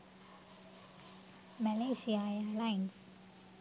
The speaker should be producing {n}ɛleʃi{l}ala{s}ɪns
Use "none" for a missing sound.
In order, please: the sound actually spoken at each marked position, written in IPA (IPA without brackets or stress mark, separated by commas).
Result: m, none, none